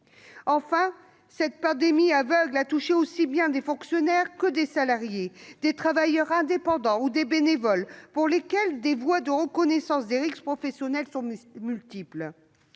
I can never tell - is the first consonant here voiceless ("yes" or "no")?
yes